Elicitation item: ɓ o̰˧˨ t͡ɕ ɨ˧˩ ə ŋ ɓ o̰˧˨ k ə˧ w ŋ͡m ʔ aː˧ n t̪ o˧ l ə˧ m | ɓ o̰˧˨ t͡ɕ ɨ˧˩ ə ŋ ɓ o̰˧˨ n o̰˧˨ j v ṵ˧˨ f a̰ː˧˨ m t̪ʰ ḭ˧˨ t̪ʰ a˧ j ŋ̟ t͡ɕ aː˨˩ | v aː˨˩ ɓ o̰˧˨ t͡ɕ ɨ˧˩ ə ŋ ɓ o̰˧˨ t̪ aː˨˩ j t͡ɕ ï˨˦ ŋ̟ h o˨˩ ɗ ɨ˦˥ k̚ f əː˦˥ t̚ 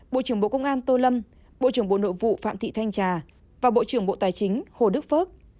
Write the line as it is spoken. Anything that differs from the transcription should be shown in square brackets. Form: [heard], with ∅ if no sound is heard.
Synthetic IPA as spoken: ɓ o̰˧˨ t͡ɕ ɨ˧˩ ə ŋ ɓ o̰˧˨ k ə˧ w ŋ͡m ʔ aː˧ n t̪ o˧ l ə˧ m | ɓ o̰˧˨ t͡ɕ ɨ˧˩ ə ŋ ɓ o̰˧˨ n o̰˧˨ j v ṵ˧˨ f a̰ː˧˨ m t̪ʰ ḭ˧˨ t̪ʰ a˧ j ŋ̟ t͡ɕ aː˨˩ | v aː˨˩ ɓ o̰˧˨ t͡ɕ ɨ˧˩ ə ŋ ɓ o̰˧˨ t̪ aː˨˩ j t͡ɕ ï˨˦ ŋ̟ h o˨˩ ɗ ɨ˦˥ k̚ f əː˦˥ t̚

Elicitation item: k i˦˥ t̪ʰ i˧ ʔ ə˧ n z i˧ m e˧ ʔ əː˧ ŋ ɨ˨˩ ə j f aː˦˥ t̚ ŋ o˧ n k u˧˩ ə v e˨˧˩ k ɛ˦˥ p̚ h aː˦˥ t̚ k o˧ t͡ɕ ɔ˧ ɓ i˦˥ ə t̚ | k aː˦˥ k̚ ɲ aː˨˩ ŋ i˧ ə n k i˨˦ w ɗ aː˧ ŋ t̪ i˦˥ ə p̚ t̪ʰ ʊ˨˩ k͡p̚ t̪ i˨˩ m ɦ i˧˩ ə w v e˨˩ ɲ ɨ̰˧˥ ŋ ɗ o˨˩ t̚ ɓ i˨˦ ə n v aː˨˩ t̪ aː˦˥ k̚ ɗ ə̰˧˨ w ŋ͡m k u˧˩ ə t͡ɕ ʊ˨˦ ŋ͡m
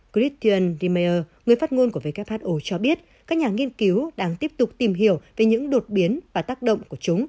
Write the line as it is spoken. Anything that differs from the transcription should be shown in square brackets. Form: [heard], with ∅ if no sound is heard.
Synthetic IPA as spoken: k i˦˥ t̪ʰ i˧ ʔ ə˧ n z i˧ m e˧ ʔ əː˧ ŋ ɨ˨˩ ə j f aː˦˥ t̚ ŋ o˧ n k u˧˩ ə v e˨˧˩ k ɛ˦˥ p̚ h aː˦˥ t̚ [ʔ] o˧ t͡ɕ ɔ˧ ɓ i˦˥ ə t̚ | k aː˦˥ k̚ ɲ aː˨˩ ŋ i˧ ə n k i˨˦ w ɗ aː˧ ŋ t̪ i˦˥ ə p̚ [t̪] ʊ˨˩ k͡p̚ t̪ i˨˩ m ɦ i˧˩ ə w v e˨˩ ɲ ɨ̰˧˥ ŋ ɗ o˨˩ t̚ ɓ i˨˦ ə n v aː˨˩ t̪ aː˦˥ k̚ ɗ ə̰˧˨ w ŋ͡m k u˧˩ ə t͡ɕ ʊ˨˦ ŋ͡m

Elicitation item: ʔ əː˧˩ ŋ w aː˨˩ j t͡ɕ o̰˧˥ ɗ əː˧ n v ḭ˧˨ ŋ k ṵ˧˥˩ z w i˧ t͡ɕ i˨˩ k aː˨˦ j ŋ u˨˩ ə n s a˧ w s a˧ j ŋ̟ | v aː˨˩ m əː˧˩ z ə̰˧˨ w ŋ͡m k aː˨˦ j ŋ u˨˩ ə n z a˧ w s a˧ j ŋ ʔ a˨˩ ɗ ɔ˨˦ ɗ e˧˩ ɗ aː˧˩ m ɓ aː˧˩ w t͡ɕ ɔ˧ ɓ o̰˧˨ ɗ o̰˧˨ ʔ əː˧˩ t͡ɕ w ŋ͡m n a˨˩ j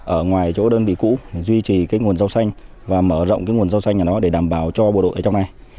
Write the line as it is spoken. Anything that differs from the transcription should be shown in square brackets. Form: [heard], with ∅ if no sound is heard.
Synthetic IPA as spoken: ʔ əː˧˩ ŋ w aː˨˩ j t͡ɕ o̰˧˥ ɗ əː˧ n v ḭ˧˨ [∅] k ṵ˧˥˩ z w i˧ t͡ɕ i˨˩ k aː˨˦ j ŋ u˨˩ ə n [z] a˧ w s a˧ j ŋ̟ | v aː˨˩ m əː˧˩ z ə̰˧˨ w ŋ͡m k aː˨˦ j ŋ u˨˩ ə n z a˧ w s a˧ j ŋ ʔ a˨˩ ɗ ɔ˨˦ ɗ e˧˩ ɗ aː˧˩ m ɓ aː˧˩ w t͡ɕ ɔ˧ ɓ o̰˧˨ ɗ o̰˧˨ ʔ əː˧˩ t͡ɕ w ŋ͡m n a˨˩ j

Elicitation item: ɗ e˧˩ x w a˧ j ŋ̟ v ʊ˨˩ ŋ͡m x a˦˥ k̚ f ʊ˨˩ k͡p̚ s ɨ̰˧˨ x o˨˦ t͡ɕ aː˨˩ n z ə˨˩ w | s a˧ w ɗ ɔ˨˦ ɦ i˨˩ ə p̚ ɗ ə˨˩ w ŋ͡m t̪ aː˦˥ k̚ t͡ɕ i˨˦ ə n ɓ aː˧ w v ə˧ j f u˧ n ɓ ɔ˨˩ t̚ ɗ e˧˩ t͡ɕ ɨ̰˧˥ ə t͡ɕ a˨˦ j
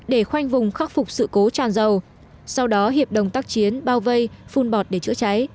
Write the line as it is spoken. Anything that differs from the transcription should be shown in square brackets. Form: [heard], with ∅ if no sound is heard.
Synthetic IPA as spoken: ɗ e˧˩ x w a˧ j ŋ̟ v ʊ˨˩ ŋ͡m x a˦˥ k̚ f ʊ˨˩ k͡p̚ s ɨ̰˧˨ [k] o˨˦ t͡ɕ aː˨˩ n z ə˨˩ w | s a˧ w ɗ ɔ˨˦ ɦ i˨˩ ə p̚ ɗ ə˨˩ w ŋ͡m t̪ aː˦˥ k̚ t͡ɕ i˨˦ ə n ɓ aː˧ w v ə˧ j f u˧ n ɓ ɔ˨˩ t̚ ɗ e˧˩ t͡ɕ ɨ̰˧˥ ə t͡ɕ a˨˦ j

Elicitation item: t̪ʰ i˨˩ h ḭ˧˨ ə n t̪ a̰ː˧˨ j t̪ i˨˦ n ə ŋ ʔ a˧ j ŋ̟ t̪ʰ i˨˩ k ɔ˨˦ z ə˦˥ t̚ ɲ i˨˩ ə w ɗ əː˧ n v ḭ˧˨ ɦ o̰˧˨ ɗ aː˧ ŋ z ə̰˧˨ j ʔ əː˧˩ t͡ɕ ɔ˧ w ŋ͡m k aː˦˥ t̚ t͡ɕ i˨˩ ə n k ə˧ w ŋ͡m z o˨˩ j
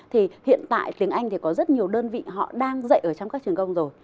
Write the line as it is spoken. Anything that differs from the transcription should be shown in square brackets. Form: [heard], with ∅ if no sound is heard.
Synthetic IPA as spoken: t̪ʰ i˨˩ h ḭ˧˨ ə n t̪ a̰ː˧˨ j t̪ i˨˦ [∅] ə ŋ ʔ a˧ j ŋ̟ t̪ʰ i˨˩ k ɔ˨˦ z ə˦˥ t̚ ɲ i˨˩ ə w ɗ əː˧ n v ḭ˧˨ ɦ [ɔ̰˧˨] ɗ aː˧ ŋ z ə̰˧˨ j ʔ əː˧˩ t͡ɕ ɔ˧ w ŋ͡m k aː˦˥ [k̚] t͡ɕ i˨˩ ə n k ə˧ w ŋ͡m z o˨˩ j

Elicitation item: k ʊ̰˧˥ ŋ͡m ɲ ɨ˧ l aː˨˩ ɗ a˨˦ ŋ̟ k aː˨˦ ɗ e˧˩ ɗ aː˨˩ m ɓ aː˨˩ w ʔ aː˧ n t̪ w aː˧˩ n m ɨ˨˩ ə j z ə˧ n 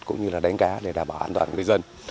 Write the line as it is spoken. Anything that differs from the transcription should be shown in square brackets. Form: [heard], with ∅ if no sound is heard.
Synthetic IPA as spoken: k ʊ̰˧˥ ŋ͡m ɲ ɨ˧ l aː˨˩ ɗ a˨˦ ŋ̟ k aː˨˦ ɗ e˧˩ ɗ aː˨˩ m ɓ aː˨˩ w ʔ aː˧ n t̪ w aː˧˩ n [ŋ] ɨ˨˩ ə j z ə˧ n

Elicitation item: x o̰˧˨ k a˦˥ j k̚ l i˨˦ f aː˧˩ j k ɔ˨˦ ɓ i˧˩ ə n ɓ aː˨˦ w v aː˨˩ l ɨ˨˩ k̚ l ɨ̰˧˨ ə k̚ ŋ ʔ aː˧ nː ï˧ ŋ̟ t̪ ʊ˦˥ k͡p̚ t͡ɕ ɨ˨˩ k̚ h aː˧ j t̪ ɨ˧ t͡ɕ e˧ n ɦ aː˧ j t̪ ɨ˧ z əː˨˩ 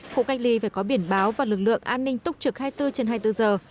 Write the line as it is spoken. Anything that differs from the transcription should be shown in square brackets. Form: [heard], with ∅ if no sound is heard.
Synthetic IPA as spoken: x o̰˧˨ k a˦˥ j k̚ l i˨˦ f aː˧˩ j k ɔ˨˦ ɓ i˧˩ ə n ɓ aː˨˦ w v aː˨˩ l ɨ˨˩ k̚ l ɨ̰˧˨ ə [∅] ŋ ʔ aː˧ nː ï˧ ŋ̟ t̪ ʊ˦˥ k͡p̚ t͡ɕ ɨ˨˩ k̚ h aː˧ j t̪ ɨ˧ t͡ɕ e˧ n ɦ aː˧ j t̪ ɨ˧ z əː˨˩

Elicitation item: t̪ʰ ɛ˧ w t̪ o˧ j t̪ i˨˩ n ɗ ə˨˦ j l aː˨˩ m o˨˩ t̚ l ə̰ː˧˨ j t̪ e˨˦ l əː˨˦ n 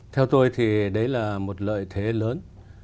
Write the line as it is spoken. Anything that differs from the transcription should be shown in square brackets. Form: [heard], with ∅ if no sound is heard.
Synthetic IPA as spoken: t̪ʰ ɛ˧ w t̪ o˧ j [t̪ʰ] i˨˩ [∅] ɗ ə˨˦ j l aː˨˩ m o˨˩ t̚ l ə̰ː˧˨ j [t̪ʰ] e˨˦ l əː˨˦ n

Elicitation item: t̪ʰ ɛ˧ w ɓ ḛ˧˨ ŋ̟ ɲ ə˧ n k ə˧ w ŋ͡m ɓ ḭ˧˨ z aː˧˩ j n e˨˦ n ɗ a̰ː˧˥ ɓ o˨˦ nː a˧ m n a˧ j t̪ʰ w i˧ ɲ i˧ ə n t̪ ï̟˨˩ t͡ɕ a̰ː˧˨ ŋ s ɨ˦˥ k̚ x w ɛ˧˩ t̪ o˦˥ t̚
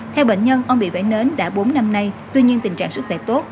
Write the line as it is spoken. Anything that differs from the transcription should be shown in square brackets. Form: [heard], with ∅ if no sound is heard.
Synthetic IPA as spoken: t̪ʰ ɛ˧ w ɓ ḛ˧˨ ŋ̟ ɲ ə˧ n [ʔ] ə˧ w ŋ͡m ɓ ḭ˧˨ [v] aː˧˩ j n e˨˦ n ɗ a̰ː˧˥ ɓ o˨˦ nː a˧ m n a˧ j [t̪] w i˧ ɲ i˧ ə n t̪ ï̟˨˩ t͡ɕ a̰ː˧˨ ŋ s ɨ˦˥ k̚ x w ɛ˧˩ t̪ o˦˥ t̚

